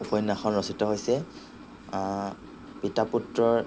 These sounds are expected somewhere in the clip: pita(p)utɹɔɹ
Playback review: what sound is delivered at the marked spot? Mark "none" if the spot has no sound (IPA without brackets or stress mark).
p